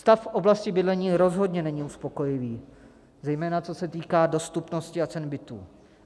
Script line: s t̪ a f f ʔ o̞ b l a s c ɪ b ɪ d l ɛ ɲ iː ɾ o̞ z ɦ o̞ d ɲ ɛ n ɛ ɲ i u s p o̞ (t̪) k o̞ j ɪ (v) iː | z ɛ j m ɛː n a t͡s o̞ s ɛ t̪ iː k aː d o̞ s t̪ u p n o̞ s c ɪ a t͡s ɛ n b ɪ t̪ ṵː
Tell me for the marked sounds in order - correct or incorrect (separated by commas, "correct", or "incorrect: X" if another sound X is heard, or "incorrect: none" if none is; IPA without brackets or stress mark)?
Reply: incorrect: none, correct